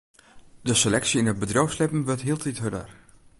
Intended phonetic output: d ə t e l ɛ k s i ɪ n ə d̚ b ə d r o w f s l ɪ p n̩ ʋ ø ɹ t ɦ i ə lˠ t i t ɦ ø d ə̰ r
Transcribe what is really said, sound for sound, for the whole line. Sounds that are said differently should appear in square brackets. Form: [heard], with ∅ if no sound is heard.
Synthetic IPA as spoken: d ə [s] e l ɛ k s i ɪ n ə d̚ b ə d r o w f s l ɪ p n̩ ʋ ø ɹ t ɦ i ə lˠ t i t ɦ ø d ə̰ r